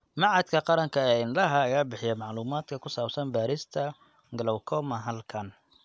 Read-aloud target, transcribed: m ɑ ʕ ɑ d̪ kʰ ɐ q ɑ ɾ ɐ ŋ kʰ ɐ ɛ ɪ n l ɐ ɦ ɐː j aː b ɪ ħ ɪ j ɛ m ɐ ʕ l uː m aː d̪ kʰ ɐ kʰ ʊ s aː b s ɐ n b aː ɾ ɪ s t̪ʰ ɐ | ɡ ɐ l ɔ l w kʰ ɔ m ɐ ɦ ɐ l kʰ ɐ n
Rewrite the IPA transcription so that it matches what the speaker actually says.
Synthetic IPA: m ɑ ʕ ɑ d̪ kʰ ɐ q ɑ ɾ ɐ ŋ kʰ ɐ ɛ ɪ n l ɐ ɦ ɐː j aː b ɪ ħ ɪ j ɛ m ɑ ʕ l uː m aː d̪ kʰ ɐ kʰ ʊ s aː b s ɐ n b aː ɾ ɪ s t̪ʰ ɐ | ɡ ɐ l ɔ w kʰ ɔ m ɐ ɦ ɐ l kʰ ɐ n